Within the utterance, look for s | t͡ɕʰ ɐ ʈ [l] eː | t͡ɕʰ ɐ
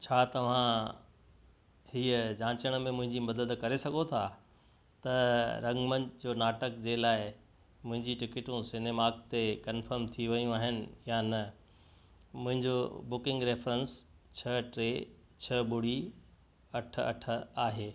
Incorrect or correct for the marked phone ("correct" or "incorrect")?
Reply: incorrect